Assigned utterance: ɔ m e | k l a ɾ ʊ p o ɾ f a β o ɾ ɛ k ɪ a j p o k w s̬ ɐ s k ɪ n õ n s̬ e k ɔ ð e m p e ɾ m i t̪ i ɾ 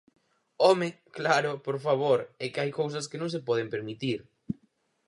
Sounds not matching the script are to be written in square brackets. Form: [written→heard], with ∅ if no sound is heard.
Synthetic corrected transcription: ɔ m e | k l a ɾ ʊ p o ɾ f a β o ɾ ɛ k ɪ a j [p→k] o [k→∅] w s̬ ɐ s k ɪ n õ [n→ŋ] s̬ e [k→p] ɔ ð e m p e ɾ m i t̪ i ɾ